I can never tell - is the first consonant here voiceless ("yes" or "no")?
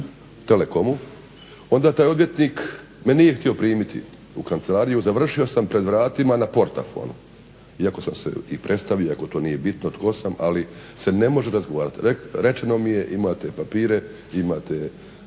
yes